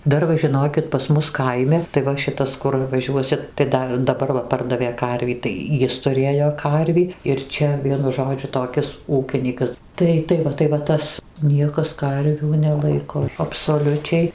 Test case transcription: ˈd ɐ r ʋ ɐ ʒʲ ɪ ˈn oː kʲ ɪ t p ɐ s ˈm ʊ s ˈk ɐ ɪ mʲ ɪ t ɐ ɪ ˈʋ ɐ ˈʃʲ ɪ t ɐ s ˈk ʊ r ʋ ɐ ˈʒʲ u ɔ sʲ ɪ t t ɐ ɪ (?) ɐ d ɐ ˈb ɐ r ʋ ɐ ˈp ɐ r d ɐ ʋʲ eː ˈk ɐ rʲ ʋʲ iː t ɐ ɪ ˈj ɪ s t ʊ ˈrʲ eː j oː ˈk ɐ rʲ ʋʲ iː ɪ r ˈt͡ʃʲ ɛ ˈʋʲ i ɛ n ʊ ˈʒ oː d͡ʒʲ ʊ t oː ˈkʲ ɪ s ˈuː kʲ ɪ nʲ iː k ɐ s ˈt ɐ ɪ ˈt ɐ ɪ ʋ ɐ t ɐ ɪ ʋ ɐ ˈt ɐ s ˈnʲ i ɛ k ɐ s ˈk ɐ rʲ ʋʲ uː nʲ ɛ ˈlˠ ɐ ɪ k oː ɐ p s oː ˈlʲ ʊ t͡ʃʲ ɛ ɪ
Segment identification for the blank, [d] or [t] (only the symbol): d